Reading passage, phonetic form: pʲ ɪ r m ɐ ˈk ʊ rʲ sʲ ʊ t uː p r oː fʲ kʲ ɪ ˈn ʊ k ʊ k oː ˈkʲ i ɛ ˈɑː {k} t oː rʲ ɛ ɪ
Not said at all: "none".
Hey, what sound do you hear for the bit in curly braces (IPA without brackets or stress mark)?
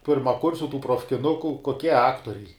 k